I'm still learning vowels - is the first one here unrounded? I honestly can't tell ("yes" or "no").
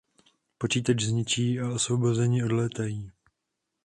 no